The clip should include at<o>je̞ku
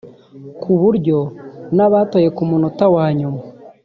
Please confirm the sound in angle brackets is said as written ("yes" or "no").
yes